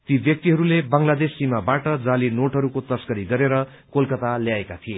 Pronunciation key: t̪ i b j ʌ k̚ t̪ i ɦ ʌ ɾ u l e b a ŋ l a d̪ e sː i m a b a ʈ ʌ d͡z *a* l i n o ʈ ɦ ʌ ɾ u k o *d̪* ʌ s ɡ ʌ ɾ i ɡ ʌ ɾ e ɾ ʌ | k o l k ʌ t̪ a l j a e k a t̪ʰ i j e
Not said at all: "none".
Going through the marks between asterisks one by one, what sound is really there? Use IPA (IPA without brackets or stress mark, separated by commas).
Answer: a, t̪